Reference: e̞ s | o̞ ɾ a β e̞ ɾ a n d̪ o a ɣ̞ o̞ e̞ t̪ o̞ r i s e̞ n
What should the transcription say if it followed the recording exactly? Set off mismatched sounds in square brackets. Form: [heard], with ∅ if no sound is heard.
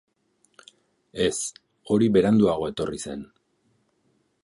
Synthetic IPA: e̞ s | o̞ ɾ [i] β e̞ ɾ a n d̪ [u] a ɣ̞ o̞ e̞ t̪ o̞ r i s e̞ n

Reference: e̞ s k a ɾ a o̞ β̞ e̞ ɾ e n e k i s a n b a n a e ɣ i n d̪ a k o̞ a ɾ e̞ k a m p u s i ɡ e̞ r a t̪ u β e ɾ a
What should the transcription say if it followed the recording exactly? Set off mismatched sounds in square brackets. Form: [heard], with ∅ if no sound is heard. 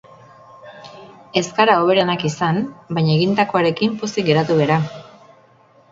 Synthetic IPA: e̞ s k a ɾ a o̞ β̞ e̞ ɾ e n [a] k i s a n b a [ɲ] a e ɣ i n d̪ a k o̞ a ɾ e̞ k [i] m p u s i ɡ e̞ [ɾ] a t̪ u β e ɾ a

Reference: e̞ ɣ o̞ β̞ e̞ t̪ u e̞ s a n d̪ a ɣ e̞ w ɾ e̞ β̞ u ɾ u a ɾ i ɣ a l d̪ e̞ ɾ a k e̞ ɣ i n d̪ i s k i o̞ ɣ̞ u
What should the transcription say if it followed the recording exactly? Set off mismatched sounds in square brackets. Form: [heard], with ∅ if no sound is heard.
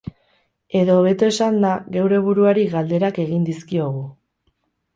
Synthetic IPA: e̞ [ð] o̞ β̞ e̞ t̪ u e̞ s a n d̪ a ɣ e̞ w ɾ e̞ β̞ u ɾ u a ɾ i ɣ a l d̪ e̞ ɾ a k e̞ ɣ i n d̪ i s k i o̞ ɣ̞ u

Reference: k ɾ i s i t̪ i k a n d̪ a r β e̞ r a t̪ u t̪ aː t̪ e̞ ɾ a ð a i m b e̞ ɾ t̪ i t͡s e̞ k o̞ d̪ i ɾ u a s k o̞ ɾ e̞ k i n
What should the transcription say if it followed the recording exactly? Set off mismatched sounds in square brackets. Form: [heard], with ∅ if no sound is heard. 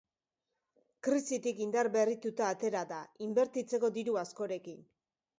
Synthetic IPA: k ɾ i s i t̪ i k [i] n d̪ a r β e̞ r [i] t̪ u t̪ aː t̪ e̞ ɾ a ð a i m b e̞ ɾ t̪ i t͡s e̞ k o̞ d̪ i ɾ u a s k o̞ ɾ e̞ k i n

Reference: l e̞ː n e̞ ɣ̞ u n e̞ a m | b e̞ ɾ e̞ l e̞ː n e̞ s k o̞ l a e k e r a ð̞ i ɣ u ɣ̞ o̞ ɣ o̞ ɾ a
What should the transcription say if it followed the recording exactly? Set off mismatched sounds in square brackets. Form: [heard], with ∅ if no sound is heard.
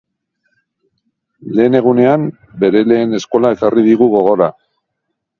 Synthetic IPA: l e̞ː n e̞ ɣ̞ u n e̞ a m | b e̞ ɾ e̞ l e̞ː n e̞ s k o̞ l a e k [a] r [i] ð̞ i ɣ u ɣ̞ o̞ ɣ o̞ ɾ a

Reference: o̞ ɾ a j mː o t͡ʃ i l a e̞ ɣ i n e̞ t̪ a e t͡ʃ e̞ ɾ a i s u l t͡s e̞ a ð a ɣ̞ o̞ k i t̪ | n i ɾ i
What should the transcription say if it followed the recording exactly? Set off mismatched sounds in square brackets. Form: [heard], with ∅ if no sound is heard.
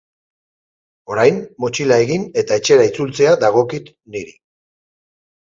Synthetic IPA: o̞ ɾ a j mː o t͡ʃ i l a e̞ ɣ i n e̞ t̪ a e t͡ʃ e̞ ɾ a i [t͡s] u l t͡s e̞ a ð a ɣ̞ o̞ k i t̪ | n i ɾ i

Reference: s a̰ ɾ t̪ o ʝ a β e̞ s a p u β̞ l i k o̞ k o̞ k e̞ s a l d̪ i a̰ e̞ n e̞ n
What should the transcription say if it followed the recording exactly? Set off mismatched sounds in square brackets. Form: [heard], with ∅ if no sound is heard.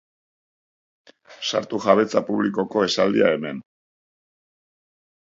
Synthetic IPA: s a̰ ɾ t̪ [u] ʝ a β e̞ [t͡s] a p u β̞ l i k o̞ k o̞ [∅] e̞ s a l d̪ i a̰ e̞ [m] e̞ n

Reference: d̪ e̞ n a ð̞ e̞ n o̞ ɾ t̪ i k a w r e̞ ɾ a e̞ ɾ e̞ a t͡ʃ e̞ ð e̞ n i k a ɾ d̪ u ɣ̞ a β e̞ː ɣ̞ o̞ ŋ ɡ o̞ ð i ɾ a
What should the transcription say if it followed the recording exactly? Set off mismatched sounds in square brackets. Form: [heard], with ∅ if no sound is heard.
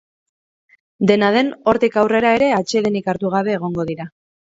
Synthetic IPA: d̪ e̞ n a ð̞ e̞ n o̞ ɾ t̪ i k a w r e̞ ɾ a e̞ ɾ e̞ a t͡ʃ e̞ ð e̞ n i k a ɾ [t̪] u ɣ̞ a β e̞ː ɣ̞ o̞ ŋ ɡ o̞ ð i ɾ a

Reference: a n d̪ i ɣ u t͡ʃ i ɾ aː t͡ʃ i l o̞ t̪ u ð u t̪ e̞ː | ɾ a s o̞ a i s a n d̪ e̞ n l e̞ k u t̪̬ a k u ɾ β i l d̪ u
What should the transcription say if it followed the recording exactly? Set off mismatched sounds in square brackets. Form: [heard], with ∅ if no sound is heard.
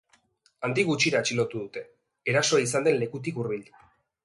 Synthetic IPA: a n d̪ i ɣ u t͡ʃ i ɾ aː t͡ʃ i l o̞ t̪ u ð u t̪ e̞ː | ɾ a s o̞ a i s a n d̪ e̞ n l e̞ k u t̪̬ [i] k u ɾ β i l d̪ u

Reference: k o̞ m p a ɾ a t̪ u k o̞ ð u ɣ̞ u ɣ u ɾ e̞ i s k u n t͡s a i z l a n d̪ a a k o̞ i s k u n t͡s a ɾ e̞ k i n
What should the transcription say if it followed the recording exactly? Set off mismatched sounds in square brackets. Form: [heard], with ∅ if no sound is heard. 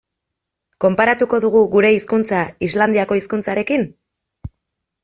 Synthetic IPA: k o̞ m p a ɾ a t̪ u k o̞ ð u ɣ̞ u ɣ u ɾ e̞ i s k u n t͡s a i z l a n d̪ [i] a k o̞ i s k u n t͡s a ɾ e̞ k i n

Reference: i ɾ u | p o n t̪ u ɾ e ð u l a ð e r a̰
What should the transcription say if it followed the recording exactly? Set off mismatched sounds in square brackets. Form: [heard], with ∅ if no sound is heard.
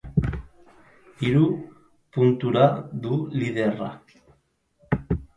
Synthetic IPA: i ɾ u | p [u] n t̪ u ɾ [a] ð u l [i] ð e r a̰

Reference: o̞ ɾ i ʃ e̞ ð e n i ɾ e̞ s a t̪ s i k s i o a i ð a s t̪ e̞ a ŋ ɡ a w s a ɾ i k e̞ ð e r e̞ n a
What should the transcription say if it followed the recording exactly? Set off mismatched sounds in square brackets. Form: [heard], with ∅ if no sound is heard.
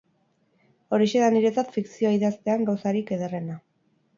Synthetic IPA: o̞ ɾ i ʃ e̞ ð [a] n i ɾ e̞ [t͡s] a t̪ [f] i k s i o a i ð a s t̪ e̞ a ŋ ɡ a w s a ɾ i k e̞ ð e r e̞ n a

